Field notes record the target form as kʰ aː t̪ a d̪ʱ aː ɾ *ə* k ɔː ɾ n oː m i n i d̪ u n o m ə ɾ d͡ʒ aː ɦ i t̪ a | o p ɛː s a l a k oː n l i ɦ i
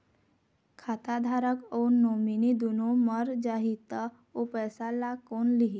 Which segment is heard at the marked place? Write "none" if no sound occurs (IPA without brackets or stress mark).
ə